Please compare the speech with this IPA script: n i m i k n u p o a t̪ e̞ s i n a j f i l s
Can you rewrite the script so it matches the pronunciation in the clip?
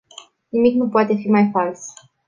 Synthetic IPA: n i m i k n u p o a t̪ e̞ f i m a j f a l s